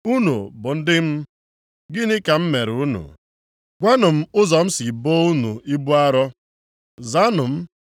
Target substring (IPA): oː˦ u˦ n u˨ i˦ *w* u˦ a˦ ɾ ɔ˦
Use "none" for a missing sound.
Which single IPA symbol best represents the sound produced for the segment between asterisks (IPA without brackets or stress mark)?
b